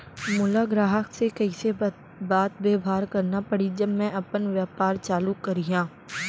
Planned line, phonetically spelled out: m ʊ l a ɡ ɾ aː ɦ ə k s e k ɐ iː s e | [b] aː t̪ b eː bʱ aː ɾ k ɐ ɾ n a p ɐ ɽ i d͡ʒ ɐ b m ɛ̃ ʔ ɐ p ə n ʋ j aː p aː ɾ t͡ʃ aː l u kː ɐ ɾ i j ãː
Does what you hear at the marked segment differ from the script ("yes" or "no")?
no